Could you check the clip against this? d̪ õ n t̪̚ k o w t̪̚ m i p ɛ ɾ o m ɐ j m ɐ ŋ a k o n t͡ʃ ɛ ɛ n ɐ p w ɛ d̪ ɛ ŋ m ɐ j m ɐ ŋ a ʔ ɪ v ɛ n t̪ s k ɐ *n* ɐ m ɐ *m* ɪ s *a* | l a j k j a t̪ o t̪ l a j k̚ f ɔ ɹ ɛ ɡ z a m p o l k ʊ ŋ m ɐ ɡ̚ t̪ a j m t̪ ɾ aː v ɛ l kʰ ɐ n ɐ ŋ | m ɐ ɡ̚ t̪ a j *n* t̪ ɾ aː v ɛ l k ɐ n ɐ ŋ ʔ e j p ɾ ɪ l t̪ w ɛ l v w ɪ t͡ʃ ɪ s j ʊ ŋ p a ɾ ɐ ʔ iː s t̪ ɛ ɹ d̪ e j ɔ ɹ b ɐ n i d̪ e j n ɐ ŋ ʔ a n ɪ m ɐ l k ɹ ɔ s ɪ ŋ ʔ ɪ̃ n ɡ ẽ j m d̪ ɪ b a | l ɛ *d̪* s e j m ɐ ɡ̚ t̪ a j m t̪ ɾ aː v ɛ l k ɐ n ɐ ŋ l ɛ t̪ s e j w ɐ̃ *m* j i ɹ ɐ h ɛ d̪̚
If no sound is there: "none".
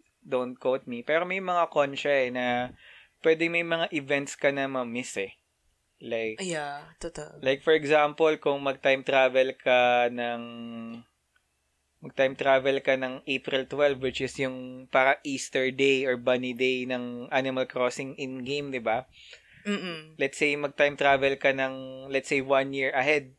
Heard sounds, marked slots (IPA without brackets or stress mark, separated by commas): n, m, ɛ, m, t̪, n